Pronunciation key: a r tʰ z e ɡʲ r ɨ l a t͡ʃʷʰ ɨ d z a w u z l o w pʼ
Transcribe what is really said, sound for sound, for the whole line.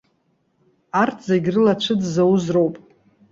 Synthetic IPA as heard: a r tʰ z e ɡʲ r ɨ l a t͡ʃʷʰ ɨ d z a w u z r o w pʼ